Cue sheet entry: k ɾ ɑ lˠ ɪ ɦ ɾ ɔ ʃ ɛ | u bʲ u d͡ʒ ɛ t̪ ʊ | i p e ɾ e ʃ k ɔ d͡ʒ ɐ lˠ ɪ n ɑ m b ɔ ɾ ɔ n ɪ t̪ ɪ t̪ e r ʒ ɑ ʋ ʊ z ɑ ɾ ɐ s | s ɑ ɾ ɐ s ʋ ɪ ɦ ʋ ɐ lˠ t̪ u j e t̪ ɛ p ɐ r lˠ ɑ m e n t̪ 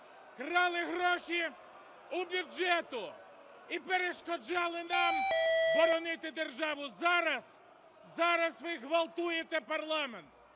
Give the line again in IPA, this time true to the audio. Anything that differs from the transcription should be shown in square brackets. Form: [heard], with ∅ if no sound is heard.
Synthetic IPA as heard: k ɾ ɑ lˠ ɪ ɦ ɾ ɔ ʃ [i] | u bʲ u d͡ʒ ɛ t̪ ʊ | i p e ɾ e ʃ k ɔ d͡ʒ [ɑ] lˠ ɪ n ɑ m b ɔ ɾ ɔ n ɪ t̪ ɪ [d̪] e r ʒ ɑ ʋ ʊ z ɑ ɾ ɐ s | [z] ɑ ɾ ɐ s ʋ ɪ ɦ ʋ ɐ lˠ t̪ u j e t̪ ɛ p ɐ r lˠ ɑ m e n t̪

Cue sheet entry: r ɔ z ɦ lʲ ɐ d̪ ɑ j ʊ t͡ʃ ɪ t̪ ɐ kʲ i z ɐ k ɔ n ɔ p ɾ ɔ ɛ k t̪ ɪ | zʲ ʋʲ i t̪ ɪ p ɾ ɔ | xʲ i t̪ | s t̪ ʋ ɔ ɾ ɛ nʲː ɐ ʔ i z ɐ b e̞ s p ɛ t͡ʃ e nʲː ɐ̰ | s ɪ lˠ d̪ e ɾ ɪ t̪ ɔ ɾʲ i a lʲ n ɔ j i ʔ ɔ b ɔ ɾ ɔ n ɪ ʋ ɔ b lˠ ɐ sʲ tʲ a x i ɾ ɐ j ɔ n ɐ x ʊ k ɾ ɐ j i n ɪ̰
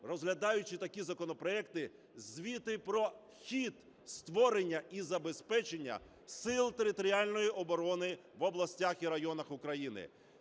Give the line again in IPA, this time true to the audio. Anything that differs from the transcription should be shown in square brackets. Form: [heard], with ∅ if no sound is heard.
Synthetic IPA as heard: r ɔ z ɦ lʲ ɐ d̪ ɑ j ʊ t͡ʃ ɪ t̪ ɐ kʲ i z ɐ k ɔ n ɔ p ɾ ɔ ɛ k t̪ ɪ | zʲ ʋʲ i t̪ ɪ p ɾ ɔ | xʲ i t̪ | s t̪ ʋ ɔ ɾ [e] nʲː ɐ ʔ i z ɐ b e̞ s p ɛ t͡ʃ e nʲː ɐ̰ | s ɪ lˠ [t̪] e ɾ ɪ t̪ ɔ ɾʲ i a lʲ n ɔ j i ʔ ɔ b ɔ ɾ ɔ n ɪ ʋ ɔ b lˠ ɐ sʲ tʲ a x i ɾ ɐ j ɔ n ɐ x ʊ k ɾ ɐ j i n ɪ̰

